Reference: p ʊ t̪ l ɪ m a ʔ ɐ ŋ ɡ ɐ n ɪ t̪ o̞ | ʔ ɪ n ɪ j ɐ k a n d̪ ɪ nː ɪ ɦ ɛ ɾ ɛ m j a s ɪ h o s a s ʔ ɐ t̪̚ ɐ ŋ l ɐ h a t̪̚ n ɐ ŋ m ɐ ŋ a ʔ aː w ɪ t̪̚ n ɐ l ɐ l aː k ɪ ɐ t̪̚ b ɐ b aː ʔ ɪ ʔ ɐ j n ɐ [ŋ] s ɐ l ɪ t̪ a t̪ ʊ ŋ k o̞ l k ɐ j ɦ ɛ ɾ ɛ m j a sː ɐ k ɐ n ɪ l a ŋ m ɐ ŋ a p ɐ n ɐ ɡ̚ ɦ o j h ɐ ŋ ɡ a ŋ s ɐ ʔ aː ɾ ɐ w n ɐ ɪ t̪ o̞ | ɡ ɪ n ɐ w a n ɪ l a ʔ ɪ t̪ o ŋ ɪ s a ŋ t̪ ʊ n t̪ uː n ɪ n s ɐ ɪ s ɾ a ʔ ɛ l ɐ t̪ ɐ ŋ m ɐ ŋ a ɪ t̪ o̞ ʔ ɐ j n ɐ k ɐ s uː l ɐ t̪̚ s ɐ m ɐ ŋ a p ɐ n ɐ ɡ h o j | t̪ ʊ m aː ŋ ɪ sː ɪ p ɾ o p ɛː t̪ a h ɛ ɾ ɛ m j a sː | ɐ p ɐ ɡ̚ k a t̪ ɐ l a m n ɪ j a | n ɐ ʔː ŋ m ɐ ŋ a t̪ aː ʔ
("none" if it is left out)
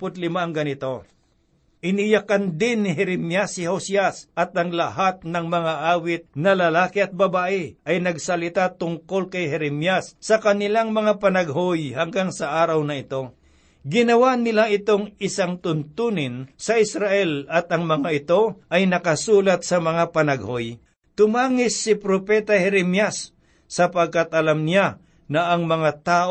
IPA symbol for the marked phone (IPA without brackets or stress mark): ɡ